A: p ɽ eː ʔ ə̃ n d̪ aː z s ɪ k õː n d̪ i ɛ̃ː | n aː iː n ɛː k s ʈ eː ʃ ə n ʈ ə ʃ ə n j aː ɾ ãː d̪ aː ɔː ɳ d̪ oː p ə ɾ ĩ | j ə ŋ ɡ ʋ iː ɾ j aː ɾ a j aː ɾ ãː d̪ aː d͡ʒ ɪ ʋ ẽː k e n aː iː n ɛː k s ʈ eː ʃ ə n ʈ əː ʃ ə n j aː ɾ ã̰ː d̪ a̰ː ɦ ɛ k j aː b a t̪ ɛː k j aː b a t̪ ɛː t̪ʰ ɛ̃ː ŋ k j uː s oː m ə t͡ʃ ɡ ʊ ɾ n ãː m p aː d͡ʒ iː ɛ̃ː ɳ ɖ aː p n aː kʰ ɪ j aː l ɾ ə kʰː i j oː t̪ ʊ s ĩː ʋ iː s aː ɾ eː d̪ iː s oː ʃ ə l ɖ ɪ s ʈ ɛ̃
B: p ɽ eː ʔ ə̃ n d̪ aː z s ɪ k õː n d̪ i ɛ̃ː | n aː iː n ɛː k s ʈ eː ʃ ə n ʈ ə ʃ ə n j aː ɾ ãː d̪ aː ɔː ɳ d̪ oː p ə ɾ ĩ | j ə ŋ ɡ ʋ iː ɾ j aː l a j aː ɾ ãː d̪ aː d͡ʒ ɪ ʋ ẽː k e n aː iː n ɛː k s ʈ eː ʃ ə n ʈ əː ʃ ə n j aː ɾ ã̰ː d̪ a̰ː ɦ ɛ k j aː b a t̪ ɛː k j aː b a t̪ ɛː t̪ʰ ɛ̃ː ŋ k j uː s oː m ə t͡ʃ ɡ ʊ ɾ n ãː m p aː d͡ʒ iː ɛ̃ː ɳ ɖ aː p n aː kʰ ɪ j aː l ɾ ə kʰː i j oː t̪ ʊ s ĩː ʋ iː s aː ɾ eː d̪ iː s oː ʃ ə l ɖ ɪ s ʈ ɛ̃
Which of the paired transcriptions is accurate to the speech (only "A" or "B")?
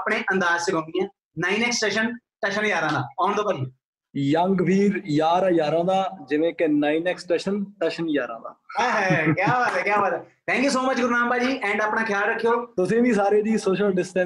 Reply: A